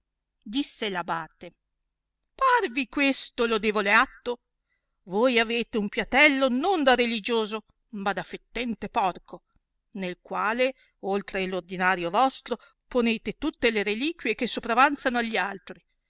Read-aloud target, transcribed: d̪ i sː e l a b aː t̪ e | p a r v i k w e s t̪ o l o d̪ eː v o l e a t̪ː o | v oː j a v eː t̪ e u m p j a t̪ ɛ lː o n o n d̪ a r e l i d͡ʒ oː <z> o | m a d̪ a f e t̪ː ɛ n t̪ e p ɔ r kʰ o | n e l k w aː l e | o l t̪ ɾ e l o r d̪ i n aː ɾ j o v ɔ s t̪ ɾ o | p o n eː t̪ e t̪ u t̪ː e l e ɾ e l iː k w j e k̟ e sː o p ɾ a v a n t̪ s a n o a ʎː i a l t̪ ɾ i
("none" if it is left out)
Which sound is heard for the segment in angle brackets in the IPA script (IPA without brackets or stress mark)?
z